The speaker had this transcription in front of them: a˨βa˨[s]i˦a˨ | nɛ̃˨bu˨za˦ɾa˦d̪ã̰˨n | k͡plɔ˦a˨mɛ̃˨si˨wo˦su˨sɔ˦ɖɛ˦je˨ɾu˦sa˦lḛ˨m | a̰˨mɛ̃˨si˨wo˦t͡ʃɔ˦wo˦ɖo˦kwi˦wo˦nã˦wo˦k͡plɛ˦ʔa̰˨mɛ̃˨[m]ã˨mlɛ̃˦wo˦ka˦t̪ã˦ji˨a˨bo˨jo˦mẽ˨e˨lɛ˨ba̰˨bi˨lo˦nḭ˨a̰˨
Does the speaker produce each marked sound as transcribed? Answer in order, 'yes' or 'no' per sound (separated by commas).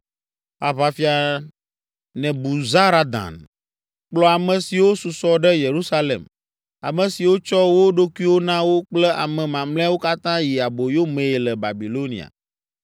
no, yes